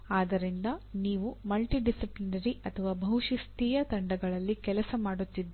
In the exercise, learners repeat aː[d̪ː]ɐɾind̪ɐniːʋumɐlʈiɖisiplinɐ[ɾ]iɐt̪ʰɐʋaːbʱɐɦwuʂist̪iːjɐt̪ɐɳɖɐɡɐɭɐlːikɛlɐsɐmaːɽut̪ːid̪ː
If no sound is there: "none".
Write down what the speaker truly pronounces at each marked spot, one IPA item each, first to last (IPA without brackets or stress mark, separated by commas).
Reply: d̪, ɾ